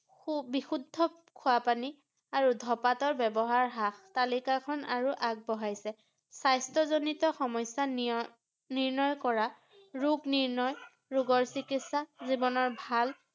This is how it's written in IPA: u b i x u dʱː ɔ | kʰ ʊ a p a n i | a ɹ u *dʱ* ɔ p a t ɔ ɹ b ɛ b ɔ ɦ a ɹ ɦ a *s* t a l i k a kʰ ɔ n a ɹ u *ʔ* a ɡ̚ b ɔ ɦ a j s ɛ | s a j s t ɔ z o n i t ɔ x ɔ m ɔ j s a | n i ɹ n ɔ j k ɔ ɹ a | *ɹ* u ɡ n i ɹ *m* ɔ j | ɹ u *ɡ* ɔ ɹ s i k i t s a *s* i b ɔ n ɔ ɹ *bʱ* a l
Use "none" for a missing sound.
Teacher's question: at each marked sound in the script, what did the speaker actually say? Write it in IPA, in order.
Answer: dʱ, x, ʔ, ɹ, n, ɡ, z, bʱ

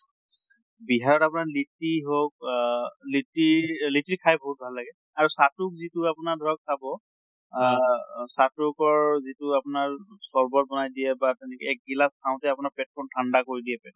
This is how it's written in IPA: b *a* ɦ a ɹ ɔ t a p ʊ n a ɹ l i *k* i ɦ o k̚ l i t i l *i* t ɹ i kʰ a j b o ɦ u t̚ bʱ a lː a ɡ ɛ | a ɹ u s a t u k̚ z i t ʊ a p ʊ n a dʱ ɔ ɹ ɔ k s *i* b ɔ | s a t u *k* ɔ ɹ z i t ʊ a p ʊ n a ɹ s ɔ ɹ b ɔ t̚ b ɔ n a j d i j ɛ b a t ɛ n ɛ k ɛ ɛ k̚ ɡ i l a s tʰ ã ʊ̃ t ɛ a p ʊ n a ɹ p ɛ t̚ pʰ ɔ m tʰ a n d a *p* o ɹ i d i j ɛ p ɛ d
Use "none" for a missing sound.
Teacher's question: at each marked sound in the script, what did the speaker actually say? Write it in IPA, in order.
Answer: i, t, i, a, k, k

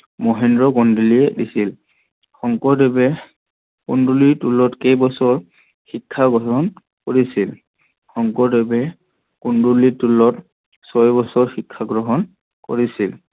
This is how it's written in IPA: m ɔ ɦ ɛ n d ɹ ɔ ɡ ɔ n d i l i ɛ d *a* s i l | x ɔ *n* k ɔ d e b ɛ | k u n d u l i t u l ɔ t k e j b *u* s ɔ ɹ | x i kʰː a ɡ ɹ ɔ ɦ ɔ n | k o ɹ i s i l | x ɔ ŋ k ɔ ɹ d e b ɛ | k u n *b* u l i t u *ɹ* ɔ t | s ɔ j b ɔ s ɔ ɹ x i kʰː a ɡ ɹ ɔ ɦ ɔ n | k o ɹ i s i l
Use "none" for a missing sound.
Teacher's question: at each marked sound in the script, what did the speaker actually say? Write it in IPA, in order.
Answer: i, ŋ, ɔ, d, l

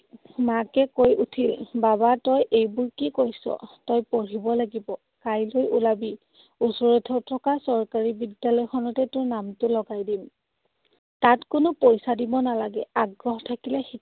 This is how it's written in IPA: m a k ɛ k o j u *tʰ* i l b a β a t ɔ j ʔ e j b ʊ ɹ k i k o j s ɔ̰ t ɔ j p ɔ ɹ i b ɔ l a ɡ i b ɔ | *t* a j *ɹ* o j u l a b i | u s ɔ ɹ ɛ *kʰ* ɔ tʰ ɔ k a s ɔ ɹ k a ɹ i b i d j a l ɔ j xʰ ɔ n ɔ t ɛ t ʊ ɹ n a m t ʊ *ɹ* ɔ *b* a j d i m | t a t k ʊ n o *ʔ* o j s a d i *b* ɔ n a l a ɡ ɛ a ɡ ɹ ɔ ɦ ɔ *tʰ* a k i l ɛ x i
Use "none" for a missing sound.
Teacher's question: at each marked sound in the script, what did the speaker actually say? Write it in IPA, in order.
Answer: tʰ, k, l, tʰ, l, ɡ, p, b, tʰ

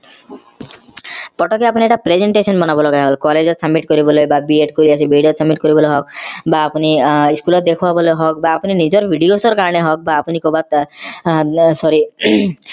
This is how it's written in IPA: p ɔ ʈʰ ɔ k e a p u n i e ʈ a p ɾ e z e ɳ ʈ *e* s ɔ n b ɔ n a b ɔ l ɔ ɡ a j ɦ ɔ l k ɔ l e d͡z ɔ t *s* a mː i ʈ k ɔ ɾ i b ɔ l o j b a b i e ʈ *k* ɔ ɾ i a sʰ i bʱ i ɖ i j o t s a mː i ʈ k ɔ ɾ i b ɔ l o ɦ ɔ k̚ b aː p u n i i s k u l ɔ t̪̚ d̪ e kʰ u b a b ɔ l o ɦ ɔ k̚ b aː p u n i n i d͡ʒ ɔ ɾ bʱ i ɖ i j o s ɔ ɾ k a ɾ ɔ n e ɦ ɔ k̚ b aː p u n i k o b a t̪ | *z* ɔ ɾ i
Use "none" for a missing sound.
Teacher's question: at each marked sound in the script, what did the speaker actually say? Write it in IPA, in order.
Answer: e, s, k, s

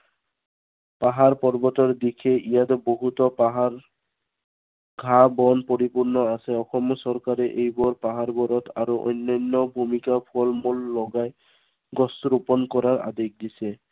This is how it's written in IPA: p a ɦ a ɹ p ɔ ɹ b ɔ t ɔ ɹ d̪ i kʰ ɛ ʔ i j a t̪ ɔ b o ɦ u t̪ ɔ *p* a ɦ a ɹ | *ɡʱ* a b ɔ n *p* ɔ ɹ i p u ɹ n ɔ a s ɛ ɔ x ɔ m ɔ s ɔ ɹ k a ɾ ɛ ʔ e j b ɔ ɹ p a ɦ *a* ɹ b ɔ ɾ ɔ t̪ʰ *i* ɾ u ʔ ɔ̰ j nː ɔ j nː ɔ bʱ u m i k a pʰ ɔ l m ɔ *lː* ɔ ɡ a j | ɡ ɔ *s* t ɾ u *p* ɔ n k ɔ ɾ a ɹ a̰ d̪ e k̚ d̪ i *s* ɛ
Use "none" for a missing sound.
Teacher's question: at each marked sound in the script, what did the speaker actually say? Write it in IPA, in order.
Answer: p, ɡʱ, p, a, a, lː, s, p, s

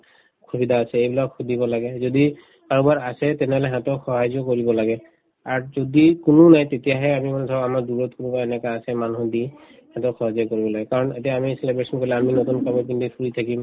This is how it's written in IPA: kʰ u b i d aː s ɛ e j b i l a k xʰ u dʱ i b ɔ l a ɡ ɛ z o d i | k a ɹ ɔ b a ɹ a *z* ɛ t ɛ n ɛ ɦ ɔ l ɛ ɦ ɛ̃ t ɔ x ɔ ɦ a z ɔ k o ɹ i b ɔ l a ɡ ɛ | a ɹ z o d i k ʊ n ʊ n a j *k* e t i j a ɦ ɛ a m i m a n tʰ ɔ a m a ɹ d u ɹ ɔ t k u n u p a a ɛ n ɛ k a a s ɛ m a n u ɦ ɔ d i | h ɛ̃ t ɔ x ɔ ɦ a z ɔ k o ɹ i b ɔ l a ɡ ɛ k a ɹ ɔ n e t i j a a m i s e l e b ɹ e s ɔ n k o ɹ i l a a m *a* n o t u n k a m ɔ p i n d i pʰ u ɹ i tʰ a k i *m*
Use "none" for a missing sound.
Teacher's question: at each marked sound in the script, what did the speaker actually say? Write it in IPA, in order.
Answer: s, t, i, m

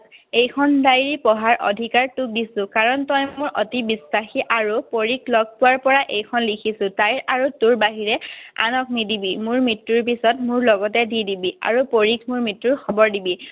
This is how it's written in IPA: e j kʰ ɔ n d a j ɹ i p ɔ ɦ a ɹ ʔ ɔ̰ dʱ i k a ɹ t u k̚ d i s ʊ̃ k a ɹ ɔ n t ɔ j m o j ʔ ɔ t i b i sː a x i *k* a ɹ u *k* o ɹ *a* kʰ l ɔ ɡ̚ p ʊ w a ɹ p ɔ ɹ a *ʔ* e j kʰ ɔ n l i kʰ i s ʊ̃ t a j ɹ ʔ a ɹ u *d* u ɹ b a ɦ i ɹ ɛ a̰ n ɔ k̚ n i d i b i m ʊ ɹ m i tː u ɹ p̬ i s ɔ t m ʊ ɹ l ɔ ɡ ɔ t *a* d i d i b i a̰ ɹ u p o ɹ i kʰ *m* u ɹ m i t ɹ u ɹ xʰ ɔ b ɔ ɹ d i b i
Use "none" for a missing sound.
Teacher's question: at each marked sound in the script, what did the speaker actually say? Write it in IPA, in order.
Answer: ʔ, p, i, ʔ, t, ɛ, m

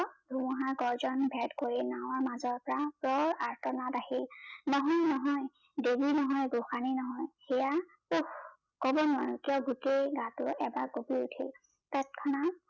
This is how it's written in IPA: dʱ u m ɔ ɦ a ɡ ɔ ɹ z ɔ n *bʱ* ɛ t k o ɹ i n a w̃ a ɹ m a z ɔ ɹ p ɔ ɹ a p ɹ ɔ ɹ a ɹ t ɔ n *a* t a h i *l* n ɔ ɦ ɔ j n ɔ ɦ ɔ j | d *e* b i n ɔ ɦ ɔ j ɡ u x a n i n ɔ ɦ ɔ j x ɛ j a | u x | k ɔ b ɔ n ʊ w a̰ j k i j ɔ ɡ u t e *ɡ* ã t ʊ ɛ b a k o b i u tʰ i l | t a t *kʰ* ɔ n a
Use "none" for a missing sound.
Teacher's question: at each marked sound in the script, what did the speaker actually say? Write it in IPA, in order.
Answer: bʱ, a, l, e, ɡ, kʰ

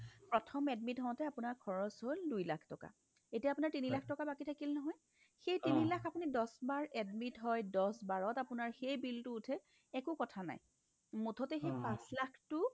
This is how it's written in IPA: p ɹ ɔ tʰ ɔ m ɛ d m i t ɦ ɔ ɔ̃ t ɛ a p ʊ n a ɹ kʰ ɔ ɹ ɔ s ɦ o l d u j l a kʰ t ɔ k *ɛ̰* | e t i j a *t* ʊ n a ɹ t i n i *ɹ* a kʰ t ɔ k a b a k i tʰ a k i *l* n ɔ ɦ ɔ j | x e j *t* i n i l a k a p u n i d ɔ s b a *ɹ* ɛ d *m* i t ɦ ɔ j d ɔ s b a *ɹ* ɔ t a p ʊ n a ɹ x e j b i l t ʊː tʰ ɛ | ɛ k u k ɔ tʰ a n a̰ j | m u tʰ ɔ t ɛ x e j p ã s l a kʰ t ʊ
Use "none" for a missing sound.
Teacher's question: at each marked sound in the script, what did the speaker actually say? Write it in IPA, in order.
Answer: a̰, p, l, l, t, ɹ, m, ɹ

